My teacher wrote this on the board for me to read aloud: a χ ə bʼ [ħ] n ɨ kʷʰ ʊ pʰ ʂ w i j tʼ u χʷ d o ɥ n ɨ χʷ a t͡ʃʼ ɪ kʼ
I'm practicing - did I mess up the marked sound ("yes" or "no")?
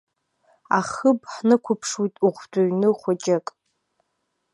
no